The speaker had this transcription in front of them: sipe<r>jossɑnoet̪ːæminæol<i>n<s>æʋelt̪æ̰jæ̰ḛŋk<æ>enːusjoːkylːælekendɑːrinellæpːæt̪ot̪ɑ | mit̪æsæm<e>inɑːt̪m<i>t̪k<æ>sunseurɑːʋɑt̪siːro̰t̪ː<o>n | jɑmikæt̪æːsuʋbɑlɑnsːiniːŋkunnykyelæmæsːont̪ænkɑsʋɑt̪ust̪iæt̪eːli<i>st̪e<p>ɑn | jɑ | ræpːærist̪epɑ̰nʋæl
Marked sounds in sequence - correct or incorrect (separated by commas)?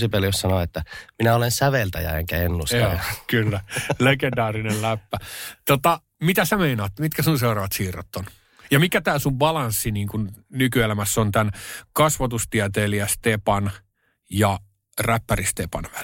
incorrect, incorrect, correct, correct, correct, correct, correct, correct, incorrect, correct